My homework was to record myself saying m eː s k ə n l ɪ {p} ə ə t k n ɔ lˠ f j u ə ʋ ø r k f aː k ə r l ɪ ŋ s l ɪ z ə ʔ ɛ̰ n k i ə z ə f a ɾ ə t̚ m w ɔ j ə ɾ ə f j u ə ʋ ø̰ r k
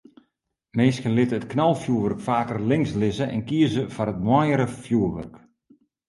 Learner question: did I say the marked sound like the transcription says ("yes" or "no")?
no